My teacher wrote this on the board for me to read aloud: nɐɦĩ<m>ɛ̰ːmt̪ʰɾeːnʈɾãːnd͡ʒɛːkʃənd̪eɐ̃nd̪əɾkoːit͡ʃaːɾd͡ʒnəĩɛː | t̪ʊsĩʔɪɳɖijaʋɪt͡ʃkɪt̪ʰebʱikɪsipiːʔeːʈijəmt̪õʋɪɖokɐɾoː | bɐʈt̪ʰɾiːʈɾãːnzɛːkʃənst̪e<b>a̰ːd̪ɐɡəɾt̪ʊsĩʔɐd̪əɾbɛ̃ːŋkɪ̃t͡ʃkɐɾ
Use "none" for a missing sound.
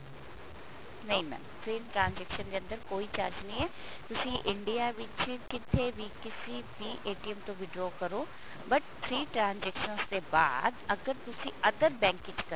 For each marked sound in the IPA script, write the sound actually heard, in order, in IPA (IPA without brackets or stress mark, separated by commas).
m, b